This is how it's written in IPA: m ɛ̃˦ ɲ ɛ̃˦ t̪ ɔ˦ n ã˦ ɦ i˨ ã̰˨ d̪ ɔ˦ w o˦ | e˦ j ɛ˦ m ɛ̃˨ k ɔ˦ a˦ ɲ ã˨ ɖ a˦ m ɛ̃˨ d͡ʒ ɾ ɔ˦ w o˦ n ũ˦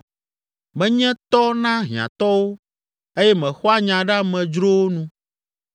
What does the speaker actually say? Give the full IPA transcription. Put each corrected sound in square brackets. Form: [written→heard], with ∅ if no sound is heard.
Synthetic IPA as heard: m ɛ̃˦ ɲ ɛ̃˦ t̪ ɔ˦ n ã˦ ɦ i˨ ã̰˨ [d̪→t̪] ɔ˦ w o˦ | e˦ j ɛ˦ m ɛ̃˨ [k→x] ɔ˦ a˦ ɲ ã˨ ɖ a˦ m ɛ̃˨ d͡ʒ ɾ [ɔ˦→o˦] w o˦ n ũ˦